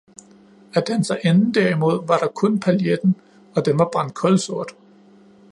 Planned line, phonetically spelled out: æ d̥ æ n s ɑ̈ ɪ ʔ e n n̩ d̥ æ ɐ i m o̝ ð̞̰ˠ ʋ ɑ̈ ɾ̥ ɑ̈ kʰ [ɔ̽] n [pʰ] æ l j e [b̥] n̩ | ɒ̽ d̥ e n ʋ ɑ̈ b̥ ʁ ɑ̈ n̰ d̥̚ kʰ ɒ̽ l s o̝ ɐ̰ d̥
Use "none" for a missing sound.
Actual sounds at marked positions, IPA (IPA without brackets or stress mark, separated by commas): ɔ̽, pʰ, d̥